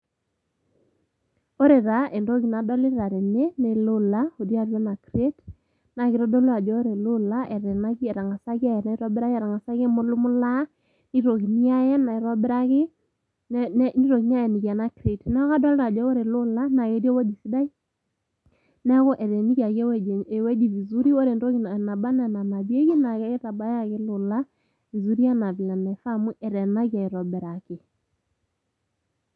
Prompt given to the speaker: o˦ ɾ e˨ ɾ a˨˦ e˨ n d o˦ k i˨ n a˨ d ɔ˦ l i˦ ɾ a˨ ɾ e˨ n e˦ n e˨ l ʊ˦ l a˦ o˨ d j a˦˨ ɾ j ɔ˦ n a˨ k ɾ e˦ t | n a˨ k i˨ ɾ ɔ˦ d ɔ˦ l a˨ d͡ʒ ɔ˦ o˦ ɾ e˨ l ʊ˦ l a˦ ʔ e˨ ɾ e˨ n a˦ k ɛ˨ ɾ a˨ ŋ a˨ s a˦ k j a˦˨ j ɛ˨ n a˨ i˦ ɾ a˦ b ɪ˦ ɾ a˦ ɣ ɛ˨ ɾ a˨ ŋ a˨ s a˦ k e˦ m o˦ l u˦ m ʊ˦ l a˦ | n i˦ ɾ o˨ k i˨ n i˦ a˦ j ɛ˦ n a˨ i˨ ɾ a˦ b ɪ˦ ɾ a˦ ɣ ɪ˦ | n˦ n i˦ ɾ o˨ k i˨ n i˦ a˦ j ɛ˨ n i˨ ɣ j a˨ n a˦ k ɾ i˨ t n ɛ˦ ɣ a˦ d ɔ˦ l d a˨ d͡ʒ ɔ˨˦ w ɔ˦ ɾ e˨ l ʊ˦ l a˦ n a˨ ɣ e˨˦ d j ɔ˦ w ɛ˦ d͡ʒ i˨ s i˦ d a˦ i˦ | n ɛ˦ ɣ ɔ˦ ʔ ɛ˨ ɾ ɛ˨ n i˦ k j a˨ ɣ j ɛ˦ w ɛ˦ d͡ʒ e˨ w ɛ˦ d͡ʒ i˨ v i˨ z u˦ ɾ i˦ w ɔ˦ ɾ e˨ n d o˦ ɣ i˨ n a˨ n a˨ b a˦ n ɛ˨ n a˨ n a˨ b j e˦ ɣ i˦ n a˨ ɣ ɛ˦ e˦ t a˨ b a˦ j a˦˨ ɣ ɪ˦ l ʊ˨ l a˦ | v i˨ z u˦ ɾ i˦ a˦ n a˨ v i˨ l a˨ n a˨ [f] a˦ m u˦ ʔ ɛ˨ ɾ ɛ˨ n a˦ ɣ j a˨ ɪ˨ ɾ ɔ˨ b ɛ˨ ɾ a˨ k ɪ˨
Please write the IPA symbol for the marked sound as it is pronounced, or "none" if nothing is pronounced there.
f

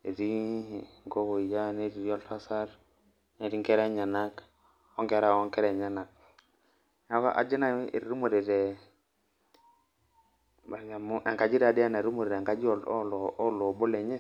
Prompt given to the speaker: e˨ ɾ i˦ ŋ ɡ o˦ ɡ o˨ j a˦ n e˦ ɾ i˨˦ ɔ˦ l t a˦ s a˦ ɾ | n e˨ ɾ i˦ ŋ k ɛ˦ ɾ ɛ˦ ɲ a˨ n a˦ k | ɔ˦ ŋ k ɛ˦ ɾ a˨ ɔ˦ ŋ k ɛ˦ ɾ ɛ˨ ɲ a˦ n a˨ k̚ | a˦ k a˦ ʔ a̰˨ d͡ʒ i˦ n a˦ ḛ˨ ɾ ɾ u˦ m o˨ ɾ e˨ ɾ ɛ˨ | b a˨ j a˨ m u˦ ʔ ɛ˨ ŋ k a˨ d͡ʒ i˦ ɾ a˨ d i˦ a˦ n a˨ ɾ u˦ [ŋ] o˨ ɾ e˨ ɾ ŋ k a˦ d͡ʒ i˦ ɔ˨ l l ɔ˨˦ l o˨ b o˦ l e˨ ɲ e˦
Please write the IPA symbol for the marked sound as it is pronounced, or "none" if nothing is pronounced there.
m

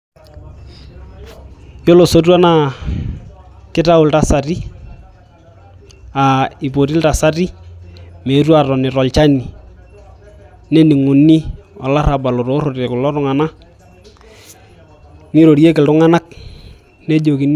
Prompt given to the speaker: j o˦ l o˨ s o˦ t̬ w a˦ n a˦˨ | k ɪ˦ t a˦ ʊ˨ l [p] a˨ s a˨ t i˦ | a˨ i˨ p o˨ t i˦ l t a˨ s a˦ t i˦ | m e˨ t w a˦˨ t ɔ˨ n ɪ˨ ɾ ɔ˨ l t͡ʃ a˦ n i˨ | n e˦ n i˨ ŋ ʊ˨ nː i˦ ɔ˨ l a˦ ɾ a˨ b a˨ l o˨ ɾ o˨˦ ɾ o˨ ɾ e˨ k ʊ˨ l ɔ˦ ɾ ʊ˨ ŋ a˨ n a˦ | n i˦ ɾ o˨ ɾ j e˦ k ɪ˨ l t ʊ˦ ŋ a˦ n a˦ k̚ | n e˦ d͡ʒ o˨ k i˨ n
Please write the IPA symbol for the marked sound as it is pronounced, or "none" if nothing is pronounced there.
t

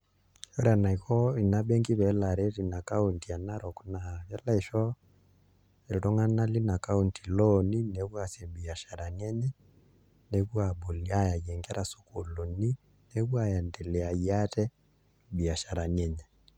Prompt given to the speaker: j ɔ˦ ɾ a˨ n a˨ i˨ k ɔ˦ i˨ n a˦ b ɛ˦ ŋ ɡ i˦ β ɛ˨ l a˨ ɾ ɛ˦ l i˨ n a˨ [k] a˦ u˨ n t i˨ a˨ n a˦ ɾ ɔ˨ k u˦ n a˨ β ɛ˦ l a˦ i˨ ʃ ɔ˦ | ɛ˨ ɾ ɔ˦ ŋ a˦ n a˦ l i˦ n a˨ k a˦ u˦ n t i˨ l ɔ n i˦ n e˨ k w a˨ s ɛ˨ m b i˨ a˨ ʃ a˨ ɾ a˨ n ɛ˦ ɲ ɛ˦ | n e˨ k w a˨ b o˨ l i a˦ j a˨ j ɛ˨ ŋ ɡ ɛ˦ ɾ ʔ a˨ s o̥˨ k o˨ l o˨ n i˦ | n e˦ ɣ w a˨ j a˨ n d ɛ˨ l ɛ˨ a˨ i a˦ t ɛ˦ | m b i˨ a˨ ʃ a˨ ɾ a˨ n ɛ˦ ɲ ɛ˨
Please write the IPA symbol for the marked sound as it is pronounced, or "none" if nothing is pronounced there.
k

